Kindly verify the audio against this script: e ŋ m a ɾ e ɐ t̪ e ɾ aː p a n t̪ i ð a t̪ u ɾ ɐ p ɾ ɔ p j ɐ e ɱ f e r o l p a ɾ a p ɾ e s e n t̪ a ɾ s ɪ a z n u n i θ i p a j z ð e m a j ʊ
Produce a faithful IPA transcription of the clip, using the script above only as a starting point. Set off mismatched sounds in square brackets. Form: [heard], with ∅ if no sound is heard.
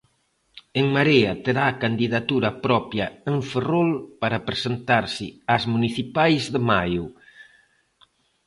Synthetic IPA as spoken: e ŋ m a ɾ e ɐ t̪ e ɾ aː [k] a n [d̪] i ð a t̪ u ɾ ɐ p ɾ ɔ p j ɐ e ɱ f e r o l p a ɾ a p ɾ e s e n t̪ a ɾ s ɪ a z [m] u n i θ i p a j z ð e m a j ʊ